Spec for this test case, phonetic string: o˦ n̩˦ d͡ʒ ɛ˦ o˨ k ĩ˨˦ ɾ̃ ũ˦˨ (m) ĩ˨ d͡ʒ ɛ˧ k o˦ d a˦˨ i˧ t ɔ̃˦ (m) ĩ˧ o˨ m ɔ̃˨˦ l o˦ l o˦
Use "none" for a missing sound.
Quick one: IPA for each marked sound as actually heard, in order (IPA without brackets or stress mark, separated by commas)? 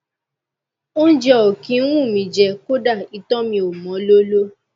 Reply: m, m